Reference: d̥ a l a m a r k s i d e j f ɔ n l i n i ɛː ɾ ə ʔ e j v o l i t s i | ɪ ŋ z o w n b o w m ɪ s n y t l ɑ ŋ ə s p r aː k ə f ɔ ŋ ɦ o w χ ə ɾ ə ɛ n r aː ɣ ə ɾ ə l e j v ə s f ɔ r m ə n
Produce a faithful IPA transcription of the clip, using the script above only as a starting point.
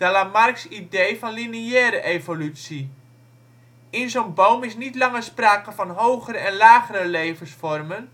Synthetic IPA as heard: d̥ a l a m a r k s i d e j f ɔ n l i n i ɛː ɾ ə ʔ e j v o l y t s i | ɪ n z o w n b o w m ɪ s n i t l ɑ ŋ ə s p r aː k ə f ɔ n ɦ o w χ ə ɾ ə ɛ n l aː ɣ ə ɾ ə l e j v ə s f ɔ r m ə n